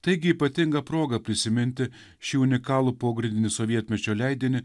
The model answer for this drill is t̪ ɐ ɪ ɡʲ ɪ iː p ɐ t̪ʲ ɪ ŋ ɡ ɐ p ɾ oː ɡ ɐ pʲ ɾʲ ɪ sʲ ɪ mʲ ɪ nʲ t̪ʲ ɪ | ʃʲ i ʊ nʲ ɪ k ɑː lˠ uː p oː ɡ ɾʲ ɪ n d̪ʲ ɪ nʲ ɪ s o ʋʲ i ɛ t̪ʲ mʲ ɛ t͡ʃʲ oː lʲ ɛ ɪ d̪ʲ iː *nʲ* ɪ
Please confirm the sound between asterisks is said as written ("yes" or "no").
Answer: yes